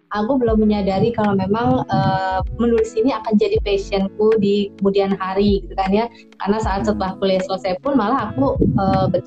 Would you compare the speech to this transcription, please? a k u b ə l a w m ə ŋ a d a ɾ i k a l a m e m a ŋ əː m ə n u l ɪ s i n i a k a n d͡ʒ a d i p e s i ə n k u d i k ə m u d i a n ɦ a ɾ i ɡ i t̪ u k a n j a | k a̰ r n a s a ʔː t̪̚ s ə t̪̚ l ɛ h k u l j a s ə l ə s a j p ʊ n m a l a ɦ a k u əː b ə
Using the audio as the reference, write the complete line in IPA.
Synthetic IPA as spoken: a k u b ə l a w m ə ɲ a d a ɾ i k a l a m e m a ŋ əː m ə n u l ɪ s i n i a k a n d͡ʒ a d i p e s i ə n k u d i k ə m u d i a n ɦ a ɾ i ɡ i t̪ u k a n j a | k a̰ r n a s a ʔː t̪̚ s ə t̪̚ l a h k u l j a s ə l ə s a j p ʊ n m a l a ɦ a k u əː b ə